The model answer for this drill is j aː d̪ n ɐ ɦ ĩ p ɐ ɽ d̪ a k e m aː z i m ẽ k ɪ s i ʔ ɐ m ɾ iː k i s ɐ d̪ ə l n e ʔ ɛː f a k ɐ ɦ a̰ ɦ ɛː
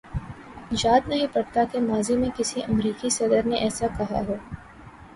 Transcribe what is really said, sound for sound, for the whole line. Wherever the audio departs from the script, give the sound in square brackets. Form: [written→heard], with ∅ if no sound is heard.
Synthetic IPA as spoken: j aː d̪ n ɐ ɦ ĩ p ɐ ɽ [d̪→t̪] a k e m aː z i m ẽ k ɪ s i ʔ ɐ m ɾ iː k i s ɐ d̪ ə [l→ɾ] n e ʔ ɛː [f→s] a k ɐ ɦ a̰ ɦ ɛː